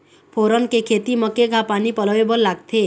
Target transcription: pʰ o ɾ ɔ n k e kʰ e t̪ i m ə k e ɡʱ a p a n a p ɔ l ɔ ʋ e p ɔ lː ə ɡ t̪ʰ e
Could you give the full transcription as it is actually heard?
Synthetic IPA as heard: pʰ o ɾ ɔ n k e kʰ e t̪ i m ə k e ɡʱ a p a n i p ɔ l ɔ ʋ e b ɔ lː a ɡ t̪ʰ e